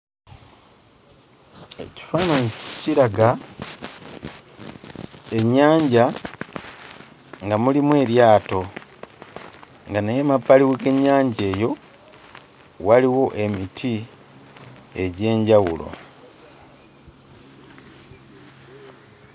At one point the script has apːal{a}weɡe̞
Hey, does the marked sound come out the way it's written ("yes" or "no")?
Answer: no